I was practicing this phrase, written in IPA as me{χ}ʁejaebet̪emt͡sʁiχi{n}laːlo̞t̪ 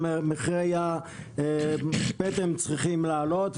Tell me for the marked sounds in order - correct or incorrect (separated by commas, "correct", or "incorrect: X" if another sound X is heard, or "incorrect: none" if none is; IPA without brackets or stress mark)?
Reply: correct, incorrect: m